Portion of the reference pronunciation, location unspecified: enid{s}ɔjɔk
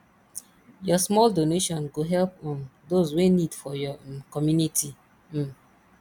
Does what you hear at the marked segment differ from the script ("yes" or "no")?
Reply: yes